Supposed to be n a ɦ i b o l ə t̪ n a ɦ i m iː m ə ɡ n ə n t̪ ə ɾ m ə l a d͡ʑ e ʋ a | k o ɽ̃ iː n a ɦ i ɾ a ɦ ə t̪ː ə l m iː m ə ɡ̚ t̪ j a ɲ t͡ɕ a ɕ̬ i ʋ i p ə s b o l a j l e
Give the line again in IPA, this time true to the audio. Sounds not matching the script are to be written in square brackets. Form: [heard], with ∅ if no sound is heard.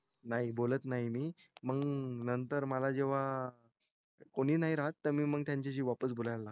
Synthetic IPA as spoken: n a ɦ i b o l ə t̪ n a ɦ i m iː m ə ɡ n ə n t̪ ə ɾ m ə l a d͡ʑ e ʋ a | k o ɽ̃ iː n a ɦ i ɾ a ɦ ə t̪ː ə [ɾ] m iː m ə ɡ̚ t̪ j a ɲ t͡ɕ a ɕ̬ [iː] ʋ [a] p ə s b o l a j l [a]